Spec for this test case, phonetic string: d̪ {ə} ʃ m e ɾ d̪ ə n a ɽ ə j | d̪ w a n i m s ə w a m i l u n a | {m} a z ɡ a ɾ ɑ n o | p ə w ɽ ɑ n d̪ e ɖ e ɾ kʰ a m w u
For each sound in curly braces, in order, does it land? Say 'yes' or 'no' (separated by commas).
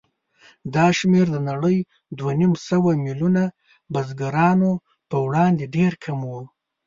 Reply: no, no